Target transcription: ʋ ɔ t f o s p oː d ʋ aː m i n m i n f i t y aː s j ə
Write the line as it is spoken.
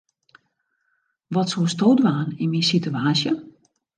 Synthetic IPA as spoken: ʋ ɔ t s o s t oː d ʋ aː n i n m i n s i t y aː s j ə